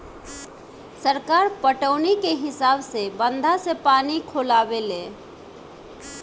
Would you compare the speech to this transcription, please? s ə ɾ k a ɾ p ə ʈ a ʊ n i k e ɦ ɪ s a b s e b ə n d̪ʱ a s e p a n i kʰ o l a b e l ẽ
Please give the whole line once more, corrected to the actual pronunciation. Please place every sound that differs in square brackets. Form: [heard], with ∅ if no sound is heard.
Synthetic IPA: s ə ɾ k a ɾ p ə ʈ [ə] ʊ n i k e ɦ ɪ s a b s e b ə n d̪ʱ a s e p a n i kʰ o l a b e l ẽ